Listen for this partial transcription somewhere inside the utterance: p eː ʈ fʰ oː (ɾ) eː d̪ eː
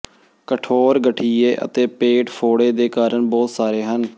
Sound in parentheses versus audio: incorrect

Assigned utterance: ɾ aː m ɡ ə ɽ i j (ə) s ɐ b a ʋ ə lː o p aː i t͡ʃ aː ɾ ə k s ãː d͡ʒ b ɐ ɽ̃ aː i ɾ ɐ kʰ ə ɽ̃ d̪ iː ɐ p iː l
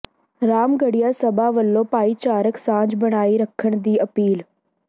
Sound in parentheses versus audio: incorrect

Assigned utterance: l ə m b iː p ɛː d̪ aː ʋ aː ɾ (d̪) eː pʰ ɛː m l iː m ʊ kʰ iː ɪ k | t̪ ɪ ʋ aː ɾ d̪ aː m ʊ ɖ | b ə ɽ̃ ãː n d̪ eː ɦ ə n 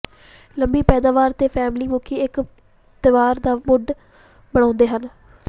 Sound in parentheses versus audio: incorrect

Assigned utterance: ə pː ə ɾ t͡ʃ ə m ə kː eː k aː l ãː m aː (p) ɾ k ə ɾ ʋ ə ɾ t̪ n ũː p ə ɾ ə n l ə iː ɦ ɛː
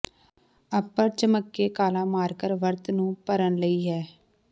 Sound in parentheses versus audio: incorrect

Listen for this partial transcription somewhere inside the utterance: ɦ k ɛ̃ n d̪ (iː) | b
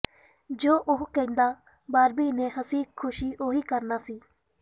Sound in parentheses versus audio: incorrect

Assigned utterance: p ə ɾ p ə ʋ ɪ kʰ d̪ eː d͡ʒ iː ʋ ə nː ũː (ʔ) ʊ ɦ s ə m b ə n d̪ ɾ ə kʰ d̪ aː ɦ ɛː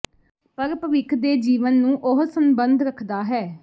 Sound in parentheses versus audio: correct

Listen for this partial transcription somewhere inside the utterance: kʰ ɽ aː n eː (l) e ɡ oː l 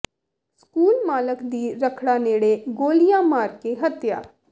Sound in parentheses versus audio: incorrect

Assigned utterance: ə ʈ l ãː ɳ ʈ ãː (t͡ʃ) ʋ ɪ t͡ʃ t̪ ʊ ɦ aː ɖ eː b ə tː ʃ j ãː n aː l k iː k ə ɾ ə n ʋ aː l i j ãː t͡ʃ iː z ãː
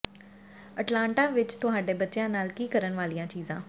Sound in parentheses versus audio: incorrect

